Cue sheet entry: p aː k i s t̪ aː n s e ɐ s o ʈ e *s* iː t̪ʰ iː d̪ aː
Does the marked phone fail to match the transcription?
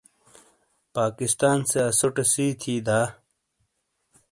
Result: no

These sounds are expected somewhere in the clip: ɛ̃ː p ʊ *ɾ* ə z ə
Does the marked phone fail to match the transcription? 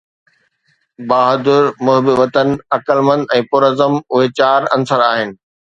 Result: no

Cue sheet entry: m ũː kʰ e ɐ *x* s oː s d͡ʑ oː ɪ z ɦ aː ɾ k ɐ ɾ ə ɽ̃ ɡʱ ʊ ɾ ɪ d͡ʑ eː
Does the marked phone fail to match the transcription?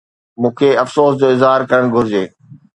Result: yes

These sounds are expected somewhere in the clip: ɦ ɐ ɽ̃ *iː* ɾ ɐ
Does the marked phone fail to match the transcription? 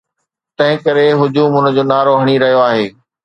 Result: yes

